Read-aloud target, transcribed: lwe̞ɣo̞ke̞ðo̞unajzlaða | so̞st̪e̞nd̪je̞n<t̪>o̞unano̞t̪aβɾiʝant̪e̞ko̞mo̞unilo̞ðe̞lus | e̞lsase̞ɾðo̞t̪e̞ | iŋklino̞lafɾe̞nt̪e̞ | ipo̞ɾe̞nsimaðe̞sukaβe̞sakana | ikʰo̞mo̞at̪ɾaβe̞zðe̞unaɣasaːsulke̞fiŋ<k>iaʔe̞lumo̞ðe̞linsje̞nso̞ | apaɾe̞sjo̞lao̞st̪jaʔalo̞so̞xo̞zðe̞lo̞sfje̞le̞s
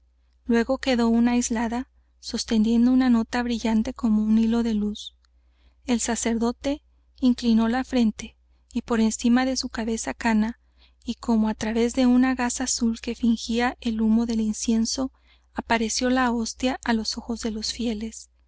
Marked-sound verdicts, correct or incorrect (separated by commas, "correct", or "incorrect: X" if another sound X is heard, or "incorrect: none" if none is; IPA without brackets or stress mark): incorrect: d̪, incorrect: x